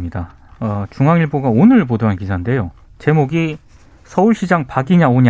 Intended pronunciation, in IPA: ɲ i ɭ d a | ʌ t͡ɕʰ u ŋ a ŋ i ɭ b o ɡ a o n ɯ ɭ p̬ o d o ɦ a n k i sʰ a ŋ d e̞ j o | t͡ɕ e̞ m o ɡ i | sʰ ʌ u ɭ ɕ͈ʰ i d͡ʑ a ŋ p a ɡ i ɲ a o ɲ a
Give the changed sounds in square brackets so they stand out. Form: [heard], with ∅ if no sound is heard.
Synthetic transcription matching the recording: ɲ i [∅] d a | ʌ [t͡ɕ] u ŋ a ŋ i ɭ b o ɡ a o n ɯ ɭ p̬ o d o ɦ a n k i sʰ a [n] d e̞ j o | t͡ɕ e̞ m o ɡ i | sʰ ʌ u ɭ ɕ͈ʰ i d͡ʑ a ŋ p a ɡ i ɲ a o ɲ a